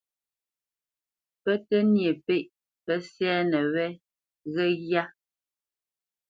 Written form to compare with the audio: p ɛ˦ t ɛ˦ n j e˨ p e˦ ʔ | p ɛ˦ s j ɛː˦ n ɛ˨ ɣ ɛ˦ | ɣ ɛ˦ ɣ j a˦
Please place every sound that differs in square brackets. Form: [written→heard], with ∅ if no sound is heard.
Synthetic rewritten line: p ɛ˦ t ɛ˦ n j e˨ p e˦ ʔ | p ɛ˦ s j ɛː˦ n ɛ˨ [ɣ→w] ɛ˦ | ɣ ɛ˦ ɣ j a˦